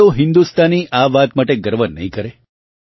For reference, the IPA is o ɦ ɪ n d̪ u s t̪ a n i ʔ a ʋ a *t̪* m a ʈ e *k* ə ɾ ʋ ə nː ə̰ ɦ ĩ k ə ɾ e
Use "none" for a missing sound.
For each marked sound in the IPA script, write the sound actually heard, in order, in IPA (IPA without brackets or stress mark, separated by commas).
t̪, ɡ